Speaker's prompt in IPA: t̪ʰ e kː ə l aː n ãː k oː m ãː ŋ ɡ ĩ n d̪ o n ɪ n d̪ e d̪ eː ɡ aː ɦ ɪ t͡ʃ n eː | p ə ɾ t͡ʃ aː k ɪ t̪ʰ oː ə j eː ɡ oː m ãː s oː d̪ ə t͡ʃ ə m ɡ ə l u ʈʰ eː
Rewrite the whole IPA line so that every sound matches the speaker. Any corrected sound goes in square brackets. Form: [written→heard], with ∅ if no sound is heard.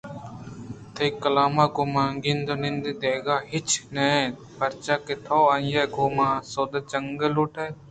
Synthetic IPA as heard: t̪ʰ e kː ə l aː [n→m] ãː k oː m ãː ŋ ɡ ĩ n d̪ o n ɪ n d̪ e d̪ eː ɡ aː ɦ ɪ t͡ʃ n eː | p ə ɾ t͡ʃ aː k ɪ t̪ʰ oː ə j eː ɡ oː m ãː s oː d̪ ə t͡ʃ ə [m→ŋ] ɡ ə l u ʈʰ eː